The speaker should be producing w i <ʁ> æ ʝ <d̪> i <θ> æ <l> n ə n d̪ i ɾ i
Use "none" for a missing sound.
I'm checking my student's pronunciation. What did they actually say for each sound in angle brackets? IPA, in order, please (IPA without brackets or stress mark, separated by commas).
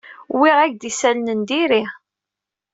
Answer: ʁ, d̪, s, l